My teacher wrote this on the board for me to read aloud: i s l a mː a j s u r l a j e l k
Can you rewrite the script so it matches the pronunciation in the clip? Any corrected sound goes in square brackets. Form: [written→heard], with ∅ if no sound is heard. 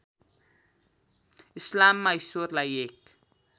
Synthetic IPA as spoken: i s l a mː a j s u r l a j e [l→∅] k